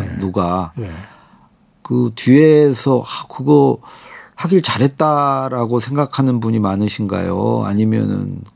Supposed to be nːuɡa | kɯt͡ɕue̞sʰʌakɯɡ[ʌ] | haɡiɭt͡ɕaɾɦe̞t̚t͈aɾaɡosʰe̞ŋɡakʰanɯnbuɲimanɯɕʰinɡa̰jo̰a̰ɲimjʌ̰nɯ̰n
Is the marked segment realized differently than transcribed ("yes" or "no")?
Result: no